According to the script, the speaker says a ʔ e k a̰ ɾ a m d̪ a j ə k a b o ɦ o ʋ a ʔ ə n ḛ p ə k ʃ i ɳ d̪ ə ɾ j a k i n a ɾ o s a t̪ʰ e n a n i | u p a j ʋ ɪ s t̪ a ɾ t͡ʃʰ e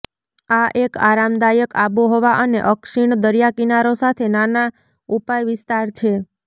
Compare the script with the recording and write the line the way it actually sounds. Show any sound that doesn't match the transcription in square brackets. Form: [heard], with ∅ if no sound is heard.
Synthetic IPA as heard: a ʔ e k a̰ ɾ a m d̪ a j ə k a b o ɦ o ʋ a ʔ ə n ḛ [ʔ] ə k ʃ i ɳ d̪ ə ɾ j a k i n a ɾ o s a t̪ʰ e n a n [a] | u p a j ʋ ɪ s t̪ a ɾ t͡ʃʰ e